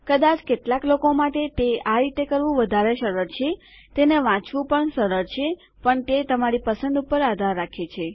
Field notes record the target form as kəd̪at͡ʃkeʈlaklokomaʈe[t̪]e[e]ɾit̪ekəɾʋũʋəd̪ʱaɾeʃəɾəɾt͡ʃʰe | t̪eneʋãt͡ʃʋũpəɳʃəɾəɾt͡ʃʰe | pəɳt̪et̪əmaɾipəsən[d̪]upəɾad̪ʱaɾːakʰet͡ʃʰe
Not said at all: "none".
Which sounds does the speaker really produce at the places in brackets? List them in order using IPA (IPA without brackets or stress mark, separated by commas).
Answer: t̪, a, d̪